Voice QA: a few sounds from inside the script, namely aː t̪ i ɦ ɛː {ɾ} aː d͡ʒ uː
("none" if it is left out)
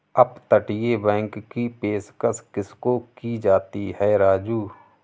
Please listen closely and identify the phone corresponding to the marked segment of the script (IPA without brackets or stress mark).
ɾ